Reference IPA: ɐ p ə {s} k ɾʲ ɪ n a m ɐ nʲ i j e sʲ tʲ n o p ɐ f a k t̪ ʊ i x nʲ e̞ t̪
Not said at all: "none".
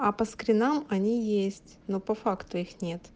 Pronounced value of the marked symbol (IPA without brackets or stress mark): s